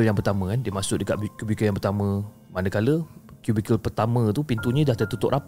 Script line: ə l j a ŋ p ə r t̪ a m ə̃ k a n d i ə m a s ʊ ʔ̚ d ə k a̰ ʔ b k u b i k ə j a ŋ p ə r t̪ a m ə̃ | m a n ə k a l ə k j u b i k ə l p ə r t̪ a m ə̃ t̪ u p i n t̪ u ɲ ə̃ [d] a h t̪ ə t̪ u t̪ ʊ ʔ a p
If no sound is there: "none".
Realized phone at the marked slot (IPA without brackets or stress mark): d